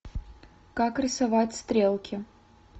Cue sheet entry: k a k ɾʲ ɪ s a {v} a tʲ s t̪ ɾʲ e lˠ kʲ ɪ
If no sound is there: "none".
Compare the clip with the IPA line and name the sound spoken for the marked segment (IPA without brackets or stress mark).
v